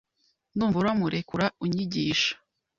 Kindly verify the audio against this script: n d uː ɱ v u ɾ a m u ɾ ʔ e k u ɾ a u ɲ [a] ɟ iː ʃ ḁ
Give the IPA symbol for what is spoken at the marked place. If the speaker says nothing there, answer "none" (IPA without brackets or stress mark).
i